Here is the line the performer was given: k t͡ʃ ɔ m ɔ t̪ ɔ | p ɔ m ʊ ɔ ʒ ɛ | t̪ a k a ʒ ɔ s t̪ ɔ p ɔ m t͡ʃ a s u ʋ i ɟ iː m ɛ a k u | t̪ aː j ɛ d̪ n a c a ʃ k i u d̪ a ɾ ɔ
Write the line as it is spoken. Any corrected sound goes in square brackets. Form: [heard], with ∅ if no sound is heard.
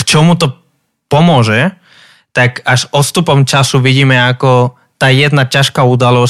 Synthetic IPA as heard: k t͡ʃ ɔ m [u] t̪ ɔ | p ɔ m ʊ ɔ ʒ ɛ | t̪ a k a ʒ ɔ s t̪ [u] p ɔ m t͡ʃ a s u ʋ i ɟ iː m ɛ a k [ɔ] | t̪ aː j ɛ d̪ n a c a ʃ k [a] u d̪ a [l] ɔ